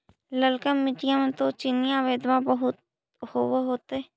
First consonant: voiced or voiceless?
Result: voiced